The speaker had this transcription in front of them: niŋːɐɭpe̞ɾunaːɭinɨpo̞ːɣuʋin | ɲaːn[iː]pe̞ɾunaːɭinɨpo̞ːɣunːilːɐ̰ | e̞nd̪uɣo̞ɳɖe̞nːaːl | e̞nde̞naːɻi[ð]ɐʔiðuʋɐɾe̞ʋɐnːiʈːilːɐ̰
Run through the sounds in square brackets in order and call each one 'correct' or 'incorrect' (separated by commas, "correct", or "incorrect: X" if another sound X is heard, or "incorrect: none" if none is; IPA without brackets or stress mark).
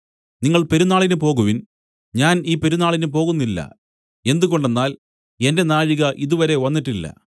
correct, incorrect: ɣ